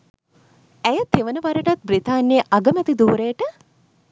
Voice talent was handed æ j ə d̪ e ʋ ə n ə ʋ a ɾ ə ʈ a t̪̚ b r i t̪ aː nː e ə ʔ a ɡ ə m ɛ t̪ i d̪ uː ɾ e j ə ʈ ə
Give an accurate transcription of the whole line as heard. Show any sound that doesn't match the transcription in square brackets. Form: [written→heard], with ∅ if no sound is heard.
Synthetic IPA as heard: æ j ə [d̪→t̪] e ʋ ə n ə ʋ a ɾ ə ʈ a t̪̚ b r i t̪ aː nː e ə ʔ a ɡ ə m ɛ t̪ i d̪ uː ɾ e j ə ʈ ə